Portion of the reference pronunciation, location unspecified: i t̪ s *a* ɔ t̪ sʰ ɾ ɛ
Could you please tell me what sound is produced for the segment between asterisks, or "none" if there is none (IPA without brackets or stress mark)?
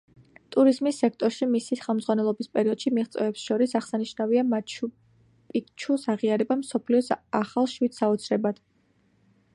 a